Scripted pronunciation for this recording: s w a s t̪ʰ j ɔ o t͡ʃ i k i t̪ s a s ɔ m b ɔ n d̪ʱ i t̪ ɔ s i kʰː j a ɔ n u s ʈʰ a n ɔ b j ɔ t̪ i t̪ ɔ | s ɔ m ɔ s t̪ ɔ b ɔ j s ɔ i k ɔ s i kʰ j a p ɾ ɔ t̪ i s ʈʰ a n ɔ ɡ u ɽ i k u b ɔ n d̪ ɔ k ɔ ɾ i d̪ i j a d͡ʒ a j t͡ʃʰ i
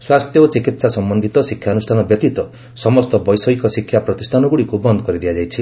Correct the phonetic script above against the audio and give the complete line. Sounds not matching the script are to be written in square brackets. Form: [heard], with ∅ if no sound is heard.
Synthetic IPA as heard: s w a s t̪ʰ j ɔ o t͡ʃ i k i t̪ s a s ɔ m b ɔ n d̪ʱ i t̪ ɔ s i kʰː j a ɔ n u s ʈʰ a n ɔ b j ɔ t̪ i t̪ ɔ | s ɔ m ɔ s t̪ ɔ b ɔ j s ɔ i k ɔ s i kʰ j a p ɾ ɔ t̪ i s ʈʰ a n ɔ ɡ u ɽ i k u b ɔ n d̪ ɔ k ɔ ɾ i d̪ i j a d͡ʒ a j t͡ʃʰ i